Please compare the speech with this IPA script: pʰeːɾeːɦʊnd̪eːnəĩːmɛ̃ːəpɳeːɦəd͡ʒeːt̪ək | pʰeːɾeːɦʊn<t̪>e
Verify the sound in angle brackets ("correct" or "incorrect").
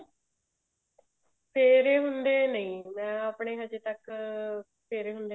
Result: incorrect